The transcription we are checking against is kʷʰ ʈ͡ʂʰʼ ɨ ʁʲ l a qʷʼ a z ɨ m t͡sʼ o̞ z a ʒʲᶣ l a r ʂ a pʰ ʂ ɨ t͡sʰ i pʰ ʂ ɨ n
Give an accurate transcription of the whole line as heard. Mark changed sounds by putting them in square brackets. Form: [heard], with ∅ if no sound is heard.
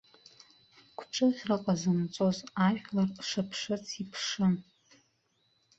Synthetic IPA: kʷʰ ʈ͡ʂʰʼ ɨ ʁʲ [r] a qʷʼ a z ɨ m t͡sʼ o̞ z a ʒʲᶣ l a r ʂ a pʰ ʂ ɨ t͡sʰ i pʰ ʂ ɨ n